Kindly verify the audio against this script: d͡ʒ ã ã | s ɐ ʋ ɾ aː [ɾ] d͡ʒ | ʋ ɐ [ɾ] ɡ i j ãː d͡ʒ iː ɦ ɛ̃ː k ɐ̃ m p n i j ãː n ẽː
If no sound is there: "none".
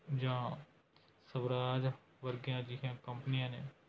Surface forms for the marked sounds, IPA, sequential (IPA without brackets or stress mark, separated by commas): none, ɾ